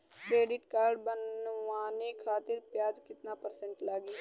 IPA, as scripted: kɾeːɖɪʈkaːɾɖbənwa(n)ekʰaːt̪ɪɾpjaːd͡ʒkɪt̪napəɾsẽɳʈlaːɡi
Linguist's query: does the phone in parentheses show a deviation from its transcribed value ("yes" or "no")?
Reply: no